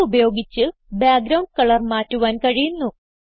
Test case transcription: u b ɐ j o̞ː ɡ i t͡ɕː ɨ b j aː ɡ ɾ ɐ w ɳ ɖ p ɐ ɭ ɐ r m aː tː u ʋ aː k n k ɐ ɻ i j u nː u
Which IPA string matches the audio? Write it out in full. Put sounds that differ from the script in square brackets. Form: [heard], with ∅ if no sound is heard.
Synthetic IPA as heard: u b ɐ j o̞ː ɡ i t͡ɕː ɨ b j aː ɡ ɾ ɐ w ɳ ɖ [k] ɐ ɭ ɐ r m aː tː u ʋ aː [∅] n k ɐ ɻ i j u nː u